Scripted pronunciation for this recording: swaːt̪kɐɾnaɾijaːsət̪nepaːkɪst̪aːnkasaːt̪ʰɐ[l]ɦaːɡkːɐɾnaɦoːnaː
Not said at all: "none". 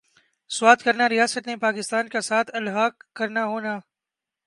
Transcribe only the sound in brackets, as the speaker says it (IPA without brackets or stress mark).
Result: l